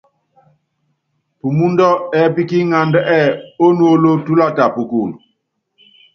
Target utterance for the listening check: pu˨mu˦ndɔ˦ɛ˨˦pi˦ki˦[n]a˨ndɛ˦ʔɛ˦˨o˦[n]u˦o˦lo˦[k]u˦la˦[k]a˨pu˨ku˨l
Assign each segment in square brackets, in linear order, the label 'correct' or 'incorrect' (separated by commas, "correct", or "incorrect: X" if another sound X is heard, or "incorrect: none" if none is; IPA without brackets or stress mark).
incorrect: ŋ, correct, incorrect: t, incorrect: t